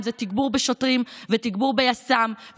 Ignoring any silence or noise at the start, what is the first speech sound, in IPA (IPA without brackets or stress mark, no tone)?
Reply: z